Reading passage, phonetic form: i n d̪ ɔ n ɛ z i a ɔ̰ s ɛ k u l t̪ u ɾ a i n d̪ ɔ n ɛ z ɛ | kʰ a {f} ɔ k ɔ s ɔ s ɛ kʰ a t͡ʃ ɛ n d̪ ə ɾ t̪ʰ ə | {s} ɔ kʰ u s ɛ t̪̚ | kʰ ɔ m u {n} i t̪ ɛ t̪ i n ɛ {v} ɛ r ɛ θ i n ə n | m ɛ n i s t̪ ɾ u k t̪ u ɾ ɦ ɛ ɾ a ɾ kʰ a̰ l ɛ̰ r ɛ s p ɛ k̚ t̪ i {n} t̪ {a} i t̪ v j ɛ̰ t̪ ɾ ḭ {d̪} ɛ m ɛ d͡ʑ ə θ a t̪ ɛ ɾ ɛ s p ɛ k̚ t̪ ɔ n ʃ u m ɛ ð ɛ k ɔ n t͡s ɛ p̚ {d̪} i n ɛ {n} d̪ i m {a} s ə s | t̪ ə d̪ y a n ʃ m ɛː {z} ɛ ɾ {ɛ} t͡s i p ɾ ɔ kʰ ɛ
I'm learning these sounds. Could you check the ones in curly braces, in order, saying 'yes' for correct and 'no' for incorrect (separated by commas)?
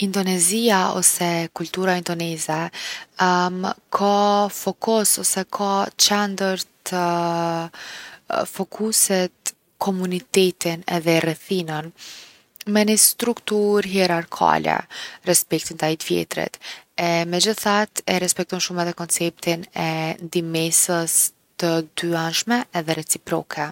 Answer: yes, no, yes, no, yes, yes, no, no, yes, no, no, yes